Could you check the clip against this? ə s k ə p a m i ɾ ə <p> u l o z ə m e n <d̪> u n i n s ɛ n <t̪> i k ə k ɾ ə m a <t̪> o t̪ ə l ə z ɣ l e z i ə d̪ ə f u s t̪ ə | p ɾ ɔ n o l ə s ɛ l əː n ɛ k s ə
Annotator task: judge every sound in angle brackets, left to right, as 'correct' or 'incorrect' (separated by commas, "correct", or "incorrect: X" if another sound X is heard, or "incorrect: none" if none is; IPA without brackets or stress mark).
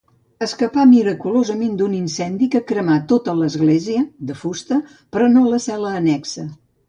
incorrect: k, correct, incorrect: d̪, correct